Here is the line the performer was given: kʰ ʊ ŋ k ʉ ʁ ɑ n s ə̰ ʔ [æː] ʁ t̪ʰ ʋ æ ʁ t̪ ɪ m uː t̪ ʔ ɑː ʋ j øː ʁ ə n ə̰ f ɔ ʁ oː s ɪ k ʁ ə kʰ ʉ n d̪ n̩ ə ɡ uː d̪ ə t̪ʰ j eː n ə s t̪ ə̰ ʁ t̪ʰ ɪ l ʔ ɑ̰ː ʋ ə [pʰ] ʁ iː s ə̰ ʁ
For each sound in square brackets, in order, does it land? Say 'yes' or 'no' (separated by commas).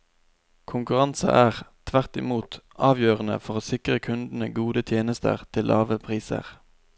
yes, yes